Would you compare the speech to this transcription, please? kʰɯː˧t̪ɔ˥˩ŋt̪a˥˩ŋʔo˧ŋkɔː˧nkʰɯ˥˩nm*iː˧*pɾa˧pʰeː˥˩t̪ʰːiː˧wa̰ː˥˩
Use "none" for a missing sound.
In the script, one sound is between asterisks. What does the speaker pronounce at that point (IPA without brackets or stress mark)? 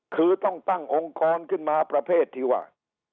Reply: aː˧